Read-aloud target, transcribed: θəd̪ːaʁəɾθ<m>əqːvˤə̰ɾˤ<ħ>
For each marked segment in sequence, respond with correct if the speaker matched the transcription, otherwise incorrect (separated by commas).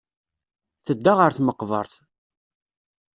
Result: correct, incorrect